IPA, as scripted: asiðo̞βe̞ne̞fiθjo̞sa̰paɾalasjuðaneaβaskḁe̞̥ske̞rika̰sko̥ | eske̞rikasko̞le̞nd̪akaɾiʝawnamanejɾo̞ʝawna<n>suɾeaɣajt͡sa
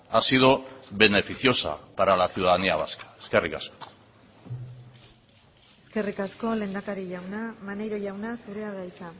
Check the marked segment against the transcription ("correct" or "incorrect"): incorrect